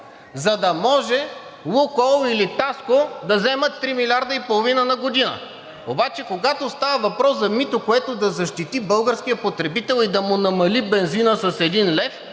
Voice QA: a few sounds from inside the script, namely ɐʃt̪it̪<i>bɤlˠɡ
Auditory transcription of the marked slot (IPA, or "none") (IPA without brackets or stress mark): i